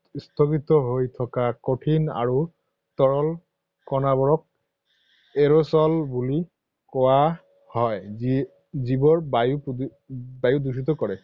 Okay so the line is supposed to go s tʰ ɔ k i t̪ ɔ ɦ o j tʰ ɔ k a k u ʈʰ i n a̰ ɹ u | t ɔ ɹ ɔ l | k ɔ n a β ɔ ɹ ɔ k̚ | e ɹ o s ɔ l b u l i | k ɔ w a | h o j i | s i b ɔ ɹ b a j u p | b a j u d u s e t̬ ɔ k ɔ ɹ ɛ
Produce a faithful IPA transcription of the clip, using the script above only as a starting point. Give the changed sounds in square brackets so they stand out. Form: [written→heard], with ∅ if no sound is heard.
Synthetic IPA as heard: s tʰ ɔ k i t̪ ɔ ɦ o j tʰ ɔ k a k [u→o] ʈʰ i n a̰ ɹ u | t ɔ ɹ ɔ l | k ɔ n a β ɔ ɹ ɔ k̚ | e ɹ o s ɔ l b u l i | k ɔ w a | h [o→ɔ] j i | [s→z] i b ɔ ɹ b a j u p | b a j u d u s [e→i] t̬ ɔ k ɔ ɹ ɛ